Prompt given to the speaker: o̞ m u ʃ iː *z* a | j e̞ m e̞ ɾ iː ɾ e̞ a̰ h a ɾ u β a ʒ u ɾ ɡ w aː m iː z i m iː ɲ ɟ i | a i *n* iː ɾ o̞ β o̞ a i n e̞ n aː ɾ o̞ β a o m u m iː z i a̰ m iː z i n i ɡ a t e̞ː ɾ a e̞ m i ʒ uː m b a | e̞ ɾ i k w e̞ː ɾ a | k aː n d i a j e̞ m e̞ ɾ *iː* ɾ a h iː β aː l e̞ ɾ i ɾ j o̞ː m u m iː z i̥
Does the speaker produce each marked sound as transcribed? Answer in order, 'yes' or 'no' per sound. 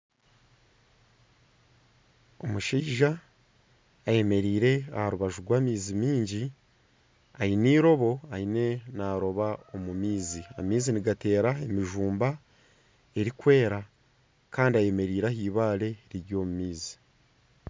no, yes, yes

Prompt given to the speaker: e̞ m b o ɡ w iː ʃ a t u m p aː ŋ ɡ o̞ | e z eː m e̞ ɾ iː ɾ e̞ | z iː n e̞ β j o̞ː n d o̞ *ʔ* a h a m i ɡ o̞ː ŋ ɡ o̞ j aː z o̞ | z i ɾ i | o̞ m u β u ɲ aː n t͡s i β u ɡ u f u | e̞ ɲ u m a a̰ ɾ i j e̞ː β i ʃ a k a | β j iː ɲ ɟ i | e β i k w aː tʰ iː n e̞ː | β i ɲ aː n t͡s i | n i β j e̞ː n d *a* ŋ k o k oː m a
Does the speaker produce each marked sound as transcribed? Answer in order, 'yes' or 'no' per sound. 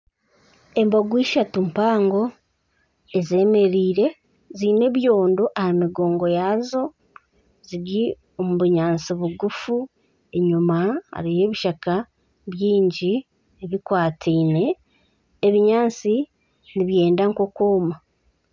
yes, yes

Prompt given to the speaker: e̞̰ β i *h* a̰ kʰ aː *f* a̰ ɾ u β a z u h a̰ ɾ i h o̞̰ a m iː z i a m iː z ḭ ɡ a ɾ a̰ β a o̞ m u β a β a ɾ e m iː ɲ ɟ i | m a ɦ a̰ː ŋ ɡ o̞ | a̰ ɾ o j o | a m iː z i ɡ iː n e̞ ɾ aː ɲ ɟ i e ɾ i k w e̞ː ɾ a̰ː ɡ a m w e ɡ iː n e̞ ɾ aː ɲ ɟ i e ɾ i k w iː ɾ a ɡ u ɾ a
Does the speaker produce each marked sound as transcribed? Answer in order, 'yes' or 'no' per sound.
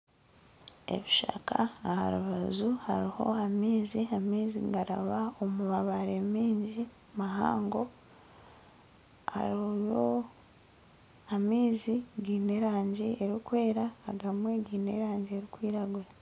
no, no

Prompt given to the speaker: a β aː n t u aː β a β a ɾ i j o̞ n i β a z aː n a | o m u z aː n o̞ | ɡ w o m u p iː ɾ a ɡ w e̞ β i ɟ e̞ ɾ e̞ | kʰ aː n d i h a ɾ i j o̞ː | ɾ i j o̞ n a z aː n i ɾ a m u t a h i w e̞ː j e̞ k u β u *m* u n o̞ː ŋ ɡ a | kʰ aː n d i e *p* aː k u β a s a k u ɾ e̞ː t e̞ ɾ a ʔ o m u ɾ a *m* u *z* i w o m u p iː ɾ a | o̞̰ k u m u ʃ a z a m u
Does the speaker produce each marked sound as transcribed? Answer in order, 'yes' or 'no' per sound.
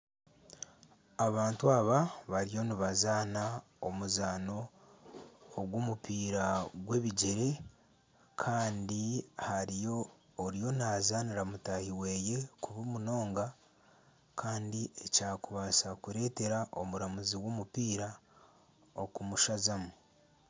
yes, no, yes, yes

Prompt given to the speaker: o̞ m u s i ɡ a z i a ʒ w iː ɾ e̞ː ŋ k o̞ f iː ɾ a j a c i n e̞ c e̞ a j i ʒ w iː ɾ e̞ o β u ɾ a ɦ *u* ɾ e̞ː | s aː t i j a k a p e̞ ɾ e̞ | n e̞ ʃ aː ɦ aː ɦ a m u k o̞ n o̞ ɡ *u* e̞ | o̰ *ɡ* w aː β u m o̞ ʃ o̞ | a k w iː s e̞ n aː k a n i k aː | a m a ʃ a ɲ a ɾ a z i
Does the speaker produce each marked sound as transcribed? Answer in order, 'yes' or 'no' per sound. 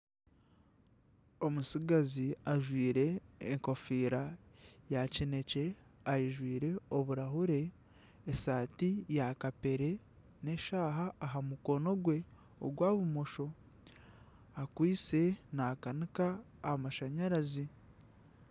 yes, no, yes

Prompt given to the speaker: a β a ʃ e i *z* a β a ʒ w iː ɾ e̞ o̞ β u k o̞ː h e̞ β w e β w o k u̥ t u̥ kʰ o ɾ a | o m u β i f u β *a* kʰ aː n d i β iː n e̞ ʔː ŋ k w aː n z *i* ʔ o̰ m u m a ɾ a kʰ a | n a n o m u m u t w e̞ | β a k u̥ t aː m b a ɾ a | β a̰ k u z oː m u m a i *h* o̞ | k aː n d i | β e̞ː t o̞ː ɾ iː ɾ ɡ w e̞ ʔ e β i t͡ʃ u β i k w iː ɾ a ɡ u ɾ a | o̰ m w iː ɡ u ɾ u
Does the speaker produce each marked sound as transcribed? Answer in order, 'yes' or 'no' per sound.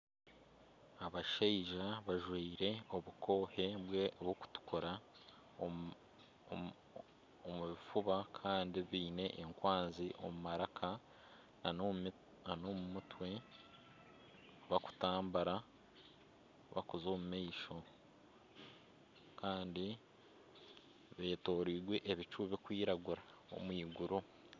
no, yes, yes, no

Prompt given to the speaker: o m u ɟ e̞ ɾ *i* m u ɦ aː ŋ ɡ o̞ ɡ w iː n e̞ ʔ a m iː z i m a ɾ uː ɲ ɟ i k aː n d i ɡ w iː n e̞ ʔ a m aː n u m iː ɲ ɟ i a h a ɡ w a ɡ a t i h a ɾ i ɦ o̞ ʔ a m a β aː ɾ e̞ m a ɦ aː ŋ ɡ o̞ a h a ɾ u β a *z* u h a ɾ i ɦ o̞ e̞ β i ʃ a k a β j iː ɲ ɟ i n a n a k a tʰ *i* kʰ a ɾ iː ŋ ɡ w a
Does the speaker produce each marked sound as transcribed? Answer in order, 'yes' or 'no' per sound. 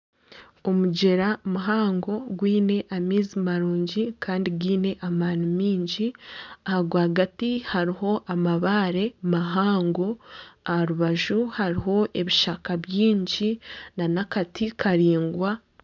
no, no, yes

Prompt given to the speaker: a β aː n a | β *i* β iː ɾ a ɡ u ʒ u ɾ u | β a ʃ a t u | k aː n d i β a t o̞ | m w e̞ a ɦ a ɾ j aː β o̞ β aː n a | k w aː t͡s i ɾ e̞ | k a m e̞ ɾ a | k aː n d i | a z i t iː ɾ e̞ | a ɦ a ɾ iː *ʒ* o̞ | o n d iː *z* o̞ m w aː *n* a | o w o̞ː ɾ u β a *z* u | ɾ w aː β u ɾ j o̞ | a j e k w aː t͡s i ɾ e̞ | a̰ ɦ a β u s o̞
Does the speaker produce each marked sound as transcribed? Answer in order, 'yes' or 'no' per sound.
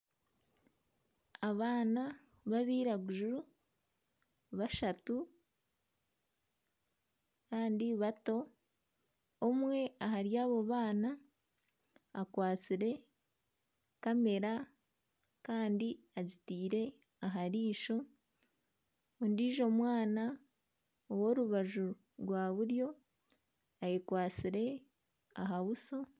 no, no, no, yes, no

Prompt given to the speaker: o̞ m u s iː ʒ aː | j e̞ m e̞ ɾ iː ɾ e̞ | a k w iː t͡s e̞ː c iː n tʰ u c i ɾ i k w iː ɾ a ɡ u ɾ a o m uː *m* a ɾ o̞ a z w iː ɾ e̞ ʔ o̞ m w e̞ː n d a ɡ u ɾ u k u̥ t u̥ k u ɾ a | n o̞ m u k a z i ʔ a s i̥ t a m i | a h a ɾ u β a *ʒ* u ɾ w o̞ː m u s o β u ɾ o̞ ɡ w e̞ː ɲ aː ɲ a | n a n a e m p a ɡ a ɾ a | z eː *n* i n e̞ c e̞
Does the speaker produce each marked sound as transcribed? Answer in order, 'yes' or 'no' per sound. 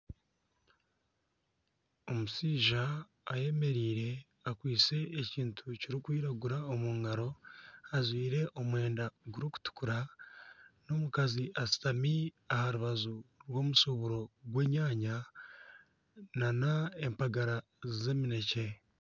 no, no, no

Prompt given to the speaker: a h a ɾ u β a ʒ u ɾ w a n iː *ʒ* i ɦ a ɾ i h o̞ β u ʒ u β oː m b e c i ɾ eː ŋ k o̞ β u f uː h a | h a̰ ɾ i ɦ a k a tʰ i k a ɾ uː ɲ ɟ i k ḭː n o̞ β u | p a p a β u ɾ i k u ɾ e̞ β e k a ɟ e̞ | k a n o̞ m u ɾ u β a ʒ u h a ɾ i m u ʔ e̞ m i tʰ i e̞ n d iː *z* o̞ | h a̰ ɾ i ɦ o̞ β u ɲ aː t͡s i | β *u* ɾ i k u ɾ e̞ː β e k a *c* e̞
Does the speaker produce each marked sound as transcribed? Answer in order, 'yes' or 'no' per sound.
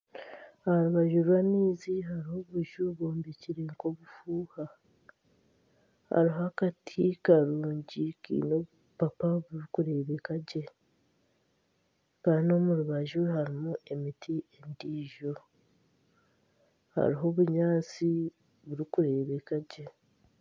no, no, yes, no

